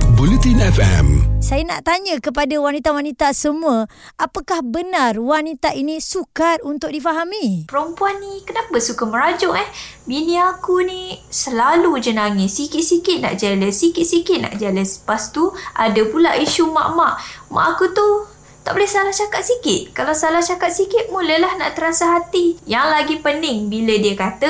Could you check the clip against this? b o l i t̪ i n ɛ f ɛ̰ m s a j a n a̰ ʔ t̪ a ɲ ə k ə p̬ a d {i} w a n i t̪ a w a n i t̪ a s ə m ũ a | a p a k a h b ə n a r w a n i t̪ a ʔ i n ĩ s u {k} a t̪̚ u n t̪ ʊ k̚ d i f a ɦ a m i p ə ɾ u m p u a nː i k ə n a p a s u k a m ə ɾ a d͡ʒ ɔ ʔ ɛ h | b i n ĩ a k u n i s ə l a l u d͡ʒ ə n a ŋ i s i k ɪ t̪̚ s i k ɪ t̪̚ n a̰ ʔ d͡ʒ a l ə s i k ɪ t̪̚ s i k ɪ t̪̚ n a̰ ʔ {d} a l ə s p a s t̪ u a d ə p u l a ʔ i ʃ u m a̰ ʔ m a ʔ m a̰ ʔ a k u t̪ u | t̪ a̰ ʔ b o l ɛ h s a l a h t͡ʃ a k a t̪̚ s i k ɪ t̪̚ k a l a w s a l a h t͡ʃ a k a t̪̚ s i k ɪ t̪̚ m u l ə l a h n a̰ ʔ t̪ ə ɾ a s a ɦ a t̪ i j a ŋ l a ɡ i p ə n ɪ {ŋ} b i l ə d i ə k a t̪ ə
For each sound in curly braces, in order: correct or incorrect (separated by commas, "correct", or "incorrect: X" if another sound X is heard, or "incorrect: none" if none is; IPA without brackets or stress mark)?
incorrect: a, correct, incorrect: d͡ʒ, correct